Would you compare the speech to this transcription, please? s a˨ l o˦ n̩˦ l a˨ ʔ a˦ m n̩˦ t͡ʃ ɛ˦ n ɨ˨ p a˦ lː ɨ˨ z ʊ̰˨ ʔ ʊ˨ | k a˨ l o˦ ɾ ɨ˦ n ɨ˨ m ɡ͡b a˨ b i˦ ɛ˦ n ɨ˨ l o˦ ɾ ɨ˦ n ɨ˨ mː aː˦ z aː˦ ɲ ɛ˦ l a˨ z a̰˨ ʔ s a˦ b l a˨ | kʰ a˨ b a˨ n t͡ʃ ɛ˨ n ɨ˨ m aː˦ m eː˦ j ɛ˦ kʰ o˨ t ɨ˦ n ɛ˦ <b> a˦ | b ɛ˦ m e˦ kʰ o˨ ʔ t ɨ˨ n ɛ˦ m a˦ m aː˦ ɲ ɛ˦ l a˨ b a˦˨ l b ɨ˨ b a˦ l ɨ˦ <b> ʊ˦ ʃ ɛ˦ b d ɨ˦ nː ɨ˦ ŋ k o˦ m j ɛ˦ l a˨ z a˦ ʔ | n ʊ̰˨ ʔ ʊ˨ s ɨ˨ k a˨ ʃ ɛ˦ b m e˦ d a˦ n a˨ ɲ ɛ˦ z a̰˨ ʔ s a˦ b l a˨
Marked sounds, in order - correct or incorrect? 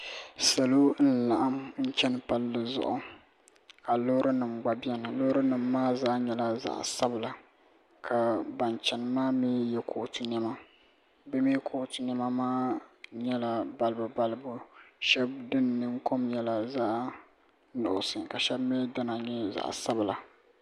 incorrect: m, correct

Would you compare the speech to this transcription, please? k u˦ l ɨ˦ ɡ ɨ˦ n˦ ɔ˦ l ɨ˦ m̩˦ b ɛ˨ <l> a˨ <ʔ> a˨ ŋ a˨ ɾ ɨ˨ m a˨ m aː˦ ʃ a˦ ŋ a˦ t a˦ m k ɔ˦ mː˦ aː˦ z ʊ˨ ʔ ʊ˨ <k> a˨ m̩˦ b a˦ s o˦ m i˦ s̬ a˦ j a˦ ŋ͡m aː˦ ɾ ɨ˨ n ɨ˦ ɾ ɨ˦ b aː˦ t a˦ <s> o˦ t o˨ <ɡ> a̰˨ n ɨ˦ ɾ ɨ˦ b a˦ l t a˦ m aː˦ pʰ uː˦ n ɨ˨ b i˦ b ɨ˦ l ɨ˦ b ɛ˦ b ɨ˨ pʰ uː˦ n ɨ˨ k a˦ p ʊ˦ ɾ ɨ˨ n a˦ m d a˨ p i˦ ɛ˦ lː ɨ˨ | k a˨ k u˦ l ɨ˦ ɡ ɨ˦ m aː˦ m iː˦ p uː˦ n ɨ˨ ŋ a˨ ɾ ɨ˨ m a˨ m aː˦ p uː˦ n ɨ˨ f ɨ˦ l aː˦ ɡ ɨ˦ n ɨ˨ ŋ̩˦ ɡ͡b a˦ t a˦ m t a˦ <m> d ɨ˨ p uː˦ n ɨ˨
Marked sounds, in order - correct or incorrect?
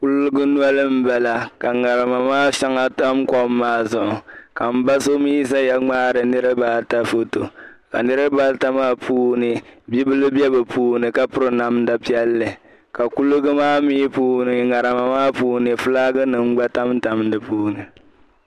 correct, incorrect: k, correct, incorrect: f, incorrect: k, correct

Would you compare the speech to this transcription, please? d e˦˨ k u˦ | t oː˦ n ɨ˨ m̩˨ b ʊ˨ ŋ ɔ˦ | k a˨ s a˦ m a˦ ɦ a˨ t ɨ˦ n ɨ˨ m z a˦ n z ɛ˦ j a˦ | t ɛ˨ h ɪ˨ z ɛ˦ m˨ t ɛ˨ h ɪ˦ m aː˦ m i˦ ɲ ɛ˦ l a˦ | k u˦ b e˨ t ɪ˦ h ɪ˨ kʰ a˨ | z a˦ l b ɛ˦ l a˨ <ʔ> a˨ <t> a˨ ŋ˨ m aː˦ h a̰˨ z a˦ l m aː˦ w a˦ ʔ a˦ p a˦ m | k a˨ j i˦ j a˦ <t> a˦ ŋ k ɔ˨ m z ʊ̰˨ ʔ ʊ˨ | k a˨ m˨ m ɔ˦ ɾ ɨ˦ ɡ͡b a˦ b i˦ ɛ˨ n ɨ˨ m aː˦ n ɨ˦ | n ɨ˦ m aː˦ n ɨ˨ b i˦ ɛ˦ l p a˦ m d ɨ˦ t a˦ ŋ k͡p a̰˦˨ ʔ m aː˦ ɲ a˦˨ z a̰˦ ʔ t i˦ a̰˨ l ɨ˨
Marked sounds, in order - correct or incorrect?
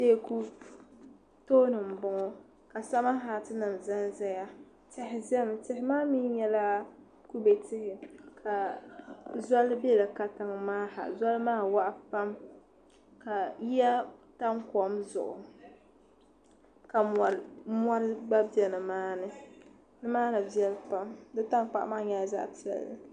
incorrect: k, correct, correct

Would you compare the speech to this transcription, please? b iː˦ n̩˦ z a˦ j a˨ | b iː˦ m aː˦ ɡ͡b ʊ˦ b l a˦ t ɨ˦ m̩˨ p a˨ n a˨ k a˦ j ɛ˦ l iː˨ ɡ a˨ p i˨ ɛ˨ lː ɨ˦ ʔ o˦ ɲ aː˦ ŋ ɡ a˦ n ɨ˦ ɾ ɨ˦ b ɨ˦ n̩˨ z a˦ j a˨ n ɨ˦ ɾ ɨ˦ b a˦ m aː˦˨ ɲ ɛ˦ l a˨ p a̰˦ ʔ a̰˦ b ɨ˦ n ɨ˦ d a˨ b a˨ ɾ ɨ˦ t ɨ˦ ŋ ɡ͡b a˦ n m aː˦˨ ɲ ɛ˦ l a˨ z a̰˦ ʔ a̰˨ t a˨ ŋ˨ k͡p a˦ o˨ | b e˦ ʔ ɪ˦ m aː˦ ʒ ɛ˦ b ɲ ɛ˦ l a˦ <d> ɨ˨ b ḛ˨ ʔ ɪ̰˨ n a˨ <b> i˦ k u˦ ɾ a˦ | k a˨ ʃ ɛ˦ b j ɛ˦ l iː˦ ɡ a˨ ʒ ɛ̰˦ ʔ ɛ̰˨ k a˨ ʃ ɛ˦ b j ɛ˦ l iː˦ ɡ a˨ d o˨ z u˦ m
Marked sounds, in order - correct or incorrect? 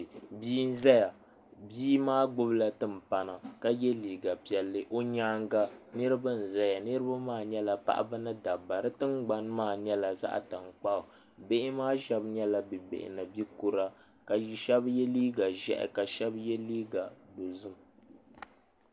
incorrect: b, correct

